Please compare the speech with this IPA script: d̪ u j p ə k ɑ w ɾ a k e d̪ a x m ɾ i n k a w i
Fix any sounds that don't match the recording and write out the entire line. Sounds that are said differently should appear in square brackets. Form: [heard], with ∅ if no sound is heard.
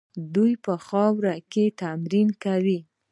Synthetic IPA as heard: d̪ u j p ə [x] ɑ w ɾ a k e [t̪] a [∅] m ɾ i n k a w i